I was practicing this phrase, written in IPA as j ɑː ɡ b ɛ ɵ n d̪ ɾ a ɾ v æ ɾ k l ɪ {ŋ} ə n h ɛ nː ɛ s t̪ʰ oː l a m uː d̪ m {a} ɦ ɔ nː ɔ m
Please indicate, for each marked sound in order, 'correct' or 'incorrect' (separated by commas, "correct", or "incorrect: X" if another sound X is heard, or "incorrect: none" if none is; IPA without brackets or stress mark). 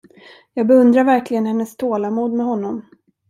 incorrect: ɡ, incorrect: ɛ